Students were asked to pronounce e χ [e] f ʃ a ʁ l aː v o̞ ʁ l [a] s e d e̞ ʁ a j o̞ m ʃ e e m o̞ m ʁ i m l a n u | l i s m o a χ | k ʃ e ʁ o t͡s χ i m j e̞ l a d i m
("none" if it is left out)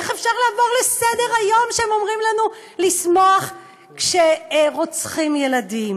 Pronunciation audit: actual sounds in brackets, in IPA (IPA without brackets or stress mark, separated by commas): e, e